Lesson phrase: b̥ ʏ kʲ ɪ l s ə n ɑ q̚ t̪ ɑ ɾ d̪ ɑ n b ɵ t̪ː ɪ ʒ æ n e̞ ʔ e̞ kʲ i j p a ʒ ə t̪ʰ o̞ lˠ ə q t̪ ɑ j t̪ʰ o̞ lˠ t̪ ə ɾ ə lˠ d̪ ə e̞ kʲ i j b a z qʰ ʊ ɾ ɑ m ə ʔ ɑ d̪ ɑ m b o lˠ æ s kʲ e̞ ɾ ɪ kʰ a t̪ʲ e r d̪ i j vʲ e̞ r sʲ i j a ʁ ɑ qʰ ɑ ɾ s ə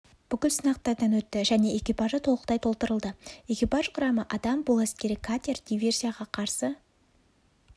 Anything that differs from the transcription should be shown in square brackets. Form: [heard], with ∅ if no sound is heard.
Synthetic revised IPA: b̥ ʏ kʲ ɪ l s ə n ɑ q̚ t̪ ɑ ɾ d̪ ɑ n [w] ɵ t̪ː ɪ ʒ æ n e̞ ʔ e̞ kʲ i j p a ʒ ə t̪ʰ o̞ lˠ ə q t̪ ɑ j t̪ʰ o̞ lˠ t̪ ə ɾ ə lˠ d̪ ə e̞ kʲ i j [p] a [ʒ] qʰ ʊ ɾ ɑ m ə ʔ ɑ d̪ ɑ m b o lˠ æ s kʲ e̞ ɾ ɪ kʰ a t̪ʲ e r d̪ i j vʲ e̞ r sʲ i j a ʁ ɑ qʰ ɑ ɾ s ə